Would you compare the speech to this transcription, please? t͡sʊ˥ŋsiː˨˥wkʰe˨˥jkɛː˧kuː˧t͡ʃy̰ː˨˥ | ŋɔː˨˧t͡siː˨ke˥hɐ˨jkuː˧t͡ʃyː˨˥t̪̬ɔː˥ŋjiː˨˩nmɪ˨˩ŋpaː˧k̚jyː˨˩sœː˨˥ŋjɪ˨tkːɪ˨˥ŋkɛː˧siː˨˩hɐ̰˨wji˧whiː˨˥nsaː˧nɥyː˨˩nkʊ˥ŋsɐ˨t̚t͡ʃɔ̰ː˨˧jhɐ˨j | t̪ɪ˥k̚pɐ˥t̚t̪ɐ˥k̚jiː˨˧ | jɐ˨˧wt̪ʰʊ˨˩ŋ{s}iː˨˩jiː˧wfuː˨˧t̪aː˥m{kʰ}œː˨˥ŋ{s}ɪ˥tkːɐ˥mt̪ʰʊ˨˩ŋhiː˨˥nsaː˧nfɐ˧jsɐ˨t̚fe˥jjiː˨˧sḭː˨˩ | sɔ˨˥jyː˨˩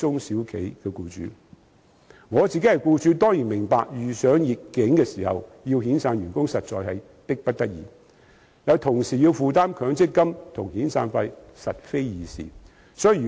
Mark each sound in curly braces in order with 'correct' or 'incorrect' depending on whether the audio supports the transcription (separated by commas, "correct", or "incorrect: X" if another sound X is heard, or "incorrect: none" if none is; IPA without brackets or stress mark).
correct, correct, incorrect: t͡s